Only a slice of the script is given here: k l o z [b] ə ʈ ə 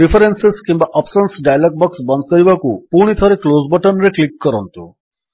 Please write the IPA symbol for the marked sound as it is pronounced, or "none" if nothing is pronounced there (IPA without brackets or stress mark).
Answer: b